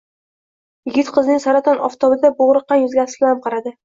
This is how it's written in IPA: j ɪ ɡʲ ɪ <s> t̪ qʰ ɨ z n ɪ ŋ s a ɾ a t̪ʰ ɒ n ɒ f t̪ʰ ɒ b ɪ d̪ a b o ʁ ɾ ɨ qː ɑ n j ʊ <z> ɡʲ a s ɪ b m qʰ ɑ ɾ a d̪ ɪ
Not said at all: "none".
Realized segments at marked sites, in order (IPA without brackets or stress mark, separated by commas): none, z